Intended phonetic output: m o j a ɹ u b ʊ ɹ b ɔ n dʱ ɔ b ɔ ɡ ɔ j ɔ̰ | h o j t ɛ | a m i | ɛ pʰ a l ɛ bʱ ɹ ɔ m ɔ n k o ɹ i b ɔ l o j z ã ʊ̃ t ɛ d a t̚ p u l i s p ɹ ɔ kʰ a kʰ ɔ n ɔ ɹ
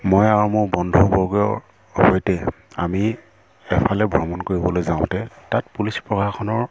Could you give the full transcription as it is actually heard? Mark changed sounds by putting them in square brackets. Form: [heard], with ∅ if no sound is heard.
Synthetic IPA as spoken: m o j a ɹ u [m] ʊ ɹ b ɔ n dʱ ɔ b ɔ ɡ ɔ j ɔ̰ | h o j t ɛ | a m i | ɛ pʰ a l ɛ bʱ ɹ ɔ m ɔ n k o ɹ i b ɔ l o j z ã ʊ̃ t ɛ [t] a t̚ p u l i s p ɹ ɔ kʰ a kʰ ɔ n ɔ ɹ